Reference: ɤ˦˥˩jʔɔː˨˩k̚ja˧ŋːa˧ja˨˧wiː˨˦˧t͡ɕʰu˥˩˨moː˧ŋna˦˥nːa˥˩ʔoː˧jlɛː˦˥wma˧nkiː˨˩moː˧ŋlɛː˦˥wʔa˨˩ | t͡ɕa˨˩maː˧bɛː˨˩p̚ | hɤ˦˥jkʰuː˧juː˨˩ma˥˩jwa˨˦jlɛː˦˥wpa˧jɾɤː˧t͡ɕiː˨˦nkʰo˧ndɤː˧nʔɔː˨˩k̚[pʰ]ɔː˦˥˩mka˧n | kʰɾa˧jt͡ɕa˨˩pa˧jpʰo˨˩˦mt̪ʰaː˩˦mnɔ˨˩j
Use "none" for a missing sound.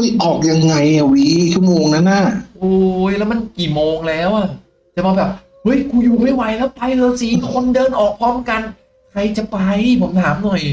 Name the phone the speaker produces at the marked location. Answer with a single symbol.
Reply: pʰ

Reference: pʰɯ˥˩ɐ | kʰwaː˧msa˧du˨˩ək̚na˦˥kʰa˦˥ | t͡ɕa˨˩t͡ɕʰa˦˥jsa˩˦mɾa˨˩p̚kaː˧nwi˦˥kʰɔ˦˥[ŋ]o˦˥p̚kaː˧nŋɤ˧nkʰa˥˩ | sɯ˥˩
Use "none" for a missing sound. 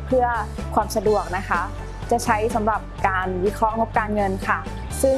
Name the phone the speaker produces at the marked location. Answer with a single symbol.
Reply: ŋ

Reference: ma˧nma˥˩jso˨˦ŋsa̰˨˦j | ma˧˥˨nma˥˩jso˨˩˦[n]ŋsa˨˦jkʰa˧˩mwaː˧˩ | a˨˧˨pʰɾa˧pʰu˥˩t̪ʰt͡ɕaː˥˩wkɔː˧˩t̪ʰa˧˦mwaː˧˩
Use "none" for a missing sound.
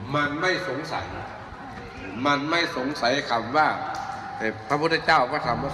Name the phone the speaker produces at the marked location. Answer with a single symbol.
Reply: none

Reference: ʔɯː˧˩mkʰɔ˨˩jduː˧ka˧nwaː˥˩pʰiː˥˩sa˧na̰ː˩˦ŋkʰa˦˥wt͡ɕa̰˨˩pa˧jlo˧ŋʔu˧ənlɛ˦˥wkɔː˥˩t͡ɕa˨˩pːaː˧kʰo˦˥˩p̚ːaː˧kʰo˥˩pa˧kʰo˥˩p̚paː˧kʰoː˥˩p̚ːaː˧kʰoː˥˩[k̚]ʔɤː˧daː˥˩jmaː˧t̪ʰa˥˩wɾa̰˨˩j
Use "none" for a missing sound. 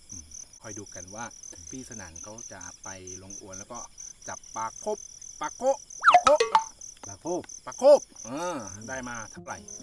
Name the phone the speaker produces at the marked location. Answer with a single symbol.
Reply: p̚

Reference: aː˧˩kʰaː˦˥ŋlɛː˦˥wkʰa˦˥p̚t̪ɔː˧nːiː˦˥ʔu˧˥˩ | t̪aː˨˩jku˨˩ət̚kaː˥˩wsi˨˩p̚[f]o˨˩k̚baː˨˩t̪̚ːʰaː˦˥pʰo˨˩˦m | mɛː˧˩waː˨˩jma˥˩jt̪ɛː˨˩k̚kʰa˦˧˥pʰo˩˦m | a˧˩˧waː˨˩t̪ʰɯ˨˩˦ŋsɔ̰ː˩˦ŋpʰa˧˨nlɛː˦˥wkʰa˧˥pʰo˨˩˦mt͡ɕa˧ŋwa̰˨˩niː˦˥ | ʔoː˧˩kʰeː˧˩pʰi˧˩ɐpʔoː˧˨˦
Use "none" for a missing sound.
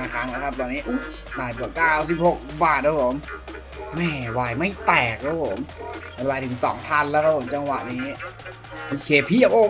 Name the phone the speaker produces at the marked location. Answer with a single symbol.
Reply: h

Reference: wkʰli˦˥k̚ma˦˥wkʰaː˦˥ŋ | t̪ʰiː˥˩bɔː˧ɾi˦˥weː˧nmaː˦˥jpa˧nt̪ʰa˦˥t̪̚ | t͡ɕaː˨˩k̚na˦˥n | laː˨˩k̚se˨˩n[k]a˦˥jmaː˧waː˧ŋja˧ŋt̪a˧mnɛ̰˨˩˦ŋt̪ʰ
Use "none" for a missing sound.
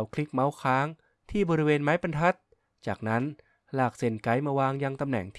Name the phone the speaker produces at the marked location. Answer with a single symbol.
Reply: k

